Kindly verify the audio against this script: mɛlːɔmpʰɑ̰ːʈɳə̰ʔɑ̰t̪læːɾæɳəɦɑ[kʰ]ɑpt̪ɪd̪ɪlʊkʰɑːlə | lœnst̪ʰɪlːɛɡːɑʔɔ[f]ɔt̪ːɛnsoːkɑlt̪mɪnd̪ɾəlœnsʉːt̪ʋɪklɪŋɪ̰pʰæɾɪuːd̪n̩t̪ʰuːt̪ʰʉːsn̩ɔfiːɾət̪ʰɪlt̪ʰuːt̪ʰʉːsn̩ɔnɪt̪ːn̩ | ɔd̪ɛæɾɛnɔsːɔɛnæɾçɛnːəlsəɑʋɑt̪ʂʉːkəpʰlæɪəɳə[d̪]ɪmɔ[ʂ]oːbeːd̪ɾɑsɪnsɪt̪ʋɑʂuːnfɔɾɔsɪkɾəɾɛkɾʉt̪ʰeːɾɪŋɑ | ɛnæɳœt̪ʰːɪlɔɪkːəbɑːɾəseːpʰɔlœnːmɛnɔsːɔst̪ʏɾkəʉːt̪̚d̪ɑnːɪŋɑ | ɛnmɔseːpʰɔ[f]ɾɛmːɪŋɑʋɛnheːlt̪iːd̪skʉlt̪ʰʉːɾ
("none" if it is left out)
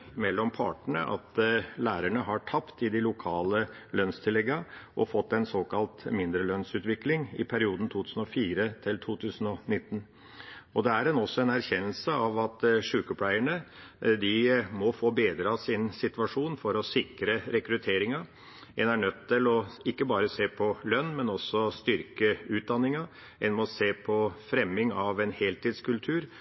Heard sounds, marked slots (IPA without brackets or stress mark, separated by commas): ʈʰ, f, d̪, f, f